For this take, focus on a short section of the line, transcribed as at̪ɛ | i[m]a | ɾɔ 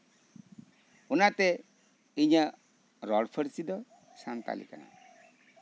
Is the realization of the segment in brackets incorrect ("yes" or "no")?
yes